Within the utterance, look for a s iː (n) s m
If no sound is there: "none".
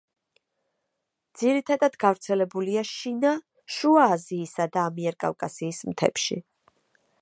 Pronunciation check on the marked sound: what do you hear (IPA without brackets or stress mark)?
none